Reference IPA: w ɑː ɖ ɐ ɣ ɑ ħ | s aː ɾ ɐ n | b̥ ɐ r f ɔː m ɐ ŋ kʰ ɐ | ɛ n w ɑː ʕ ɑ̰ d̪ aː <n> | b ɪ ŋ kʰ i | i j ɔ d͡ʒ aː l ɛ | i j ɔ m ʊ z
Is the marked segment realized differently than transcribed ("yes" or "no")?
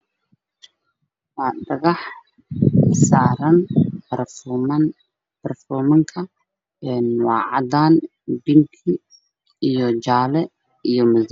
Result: no